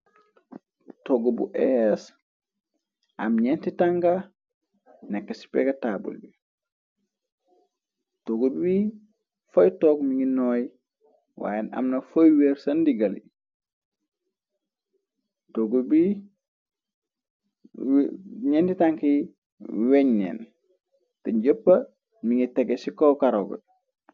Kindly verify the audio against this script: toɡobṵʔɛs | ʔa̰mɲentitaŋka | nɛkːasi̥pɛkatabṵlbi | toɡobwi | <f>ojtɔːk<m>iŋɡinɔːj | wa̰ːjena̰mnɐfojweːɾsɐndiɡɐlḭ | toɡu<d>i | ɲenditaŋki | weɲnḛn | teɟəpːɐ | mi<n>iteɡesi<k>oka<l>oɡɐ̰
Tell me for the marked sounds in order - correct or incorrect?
correct, correct, incorrect: b, incorrect: ŋ, correct, incorrect: ɾ

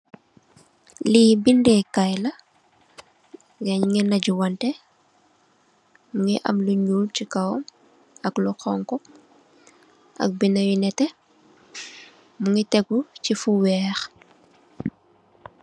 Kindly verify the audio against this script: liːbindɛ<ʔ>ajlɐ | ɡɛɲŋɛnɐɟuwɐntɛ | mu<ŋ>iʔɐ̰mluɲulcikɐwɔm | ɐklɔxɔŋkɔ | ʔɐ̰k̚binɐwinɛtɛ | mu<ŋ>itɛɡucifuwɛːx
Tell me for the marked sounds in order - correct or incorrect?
incorrect: k, correct, correct

